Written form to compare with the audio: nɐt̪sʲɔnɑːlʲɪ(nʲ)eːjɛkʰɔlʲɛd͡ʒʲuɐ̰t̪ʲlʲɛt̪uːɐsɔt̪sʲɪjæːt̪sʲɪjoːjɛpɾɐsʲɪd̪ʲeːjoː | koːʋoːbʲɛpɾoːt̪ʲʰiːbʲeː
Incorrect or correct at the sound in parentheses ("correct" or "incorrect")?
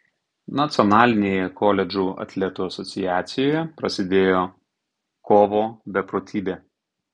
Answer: correct